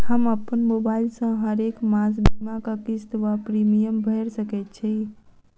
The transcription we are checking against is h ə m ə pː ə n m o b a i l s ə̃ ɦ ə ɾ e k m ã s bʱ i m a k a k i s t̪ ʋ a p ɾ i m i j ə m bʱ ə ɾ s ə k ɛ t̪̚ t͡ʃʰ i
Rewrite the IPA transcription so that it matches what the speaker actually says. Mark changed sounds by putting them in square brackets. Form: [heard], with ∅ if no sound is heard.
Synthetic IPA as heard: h ə m ə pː ə n m o b a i l s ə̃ ɦ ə ɾ e k m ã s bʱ i m a k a k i s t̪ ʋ a p ɾ i m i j ə m bʱ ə ɾ s ə k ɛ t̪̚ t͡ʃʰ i